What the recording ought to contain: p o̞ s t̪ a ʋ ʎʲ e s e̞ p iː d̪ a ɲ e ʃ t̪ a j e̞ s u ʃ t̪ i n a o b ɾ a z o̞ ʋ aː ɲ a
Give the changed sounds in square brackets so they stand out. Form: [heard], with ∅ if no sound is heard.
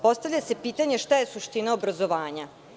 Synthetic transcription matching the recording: p o̞ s t̪ a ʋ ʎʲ [a] s e̞ p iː [t̪] a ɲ e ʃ t̪ a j e̞ s u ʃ t̪ i n a o b ɾ a z o̞ ʋ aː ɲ a